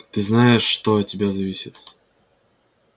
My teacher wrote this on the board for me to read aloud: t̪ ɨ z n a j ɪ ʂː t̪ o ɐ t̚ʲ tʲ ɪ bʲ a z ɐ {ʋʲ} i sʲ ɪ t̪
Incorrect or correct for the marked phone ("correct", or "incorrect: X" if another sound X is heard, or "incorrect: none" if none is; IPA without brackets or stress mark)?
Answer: incorrect: vʲ